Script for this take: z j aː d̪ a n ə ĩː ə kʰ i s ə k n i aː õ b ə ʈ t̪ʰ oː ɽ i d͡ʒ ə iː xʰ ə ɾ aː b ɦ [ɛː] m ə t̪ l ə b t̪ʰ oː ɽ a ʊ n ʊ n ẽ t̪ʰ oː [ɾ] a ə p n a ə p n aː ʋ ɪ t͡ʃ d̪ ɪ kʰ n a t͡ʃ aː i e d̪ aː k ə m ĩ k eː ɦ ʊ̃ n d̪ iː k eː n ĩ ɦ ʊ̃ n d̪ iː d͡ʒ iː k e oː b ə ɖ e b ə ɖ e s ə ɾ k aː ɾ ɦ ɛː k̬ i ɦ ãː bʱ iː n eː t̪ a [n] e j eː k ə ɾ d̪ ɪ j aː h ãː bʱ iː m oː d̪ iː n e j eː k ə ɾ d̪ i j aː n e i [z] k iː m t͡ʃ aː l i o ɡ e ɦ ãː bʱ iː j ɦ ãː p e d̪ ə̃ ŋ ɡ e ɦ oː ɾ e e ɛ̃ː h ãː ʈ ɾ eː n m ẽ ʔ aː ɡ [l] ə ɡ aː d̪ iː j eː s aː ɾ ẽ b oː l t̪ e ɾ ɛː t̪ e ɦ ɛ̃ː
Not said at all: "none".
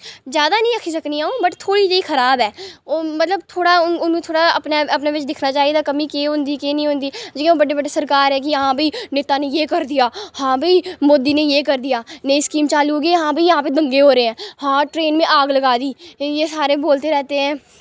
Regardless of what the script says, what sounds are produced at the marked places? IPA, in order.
ɛː, ɽ, n, s, l

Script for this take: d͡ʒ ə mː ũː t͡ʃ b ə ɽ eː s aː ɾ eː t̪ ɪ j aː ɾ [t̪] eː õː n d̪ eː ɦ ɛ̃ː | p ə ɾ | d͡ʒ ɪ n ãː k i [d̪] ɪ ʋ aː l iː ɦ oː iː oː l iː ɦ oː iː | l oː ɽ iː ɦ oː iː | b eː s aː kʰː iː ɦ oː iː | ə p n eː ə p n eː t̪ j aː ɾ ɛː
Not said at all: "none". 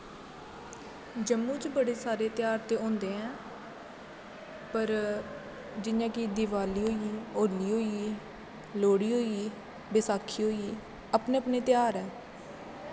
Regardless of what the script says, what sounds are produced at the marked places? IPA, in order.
t̪, d̪

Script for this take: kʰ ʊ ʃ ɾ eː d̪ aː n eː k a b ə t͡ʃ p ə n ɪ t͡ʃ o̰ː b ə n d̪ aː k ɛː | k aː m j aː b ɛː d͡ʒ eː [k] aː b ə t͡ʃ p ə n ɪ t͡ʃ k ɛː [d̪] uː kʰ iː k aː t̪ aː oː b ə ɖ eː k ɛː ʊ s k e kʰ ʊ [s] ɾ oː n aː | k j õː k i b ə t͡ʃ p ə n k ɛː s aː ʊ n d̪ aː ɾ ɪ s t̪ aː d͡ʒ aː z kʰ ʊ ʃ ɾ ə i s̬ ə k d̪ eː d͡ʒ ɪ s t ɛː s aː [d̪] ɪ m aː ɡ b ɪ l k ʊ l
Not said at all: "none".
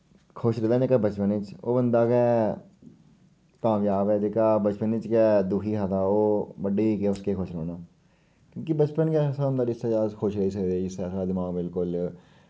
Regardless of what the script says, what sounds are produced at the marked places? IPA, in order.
k, d̪, ʃ, d̪

